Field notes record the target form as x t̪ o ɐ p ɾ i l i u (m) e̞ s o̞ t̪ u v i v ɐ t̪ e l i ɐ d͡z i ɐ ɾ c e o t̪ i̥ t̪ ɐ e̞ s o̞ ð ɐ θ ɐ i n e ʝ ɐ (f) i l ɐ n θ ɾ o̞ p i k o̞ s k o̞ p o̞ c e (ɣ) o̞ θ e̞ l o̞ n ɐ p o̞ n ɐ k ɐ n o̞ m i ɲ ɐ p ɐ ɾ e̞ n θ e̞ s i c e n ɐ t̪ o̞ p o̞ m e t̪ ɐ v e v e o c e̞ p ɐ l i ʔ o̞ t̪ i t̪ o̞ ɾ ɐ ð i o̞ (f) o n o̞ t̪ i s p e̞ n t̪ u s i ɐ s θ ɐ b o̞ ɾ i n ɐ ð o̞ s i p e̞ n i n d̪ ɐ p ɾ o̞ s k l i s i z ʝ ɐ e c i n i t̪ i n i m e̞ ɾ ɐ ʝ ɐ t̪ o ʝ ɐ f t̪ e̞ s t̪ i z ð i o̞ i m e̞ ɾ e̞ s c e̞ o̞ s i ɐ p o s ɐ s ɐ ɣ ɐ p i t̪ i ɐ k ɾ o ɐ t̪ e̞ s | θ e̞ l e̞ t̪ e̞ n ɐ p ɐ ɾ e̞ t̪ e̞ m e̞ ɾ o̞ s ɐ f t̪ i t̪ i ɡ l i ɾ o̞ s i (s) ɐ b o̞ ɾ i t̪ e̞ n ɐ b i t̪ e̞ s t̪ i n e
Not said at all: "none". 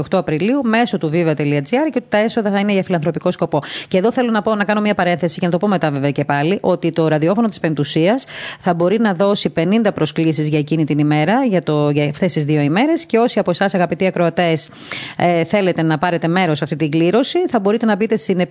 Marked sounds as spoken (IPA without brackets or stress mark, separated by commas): m, f, ð, f, θ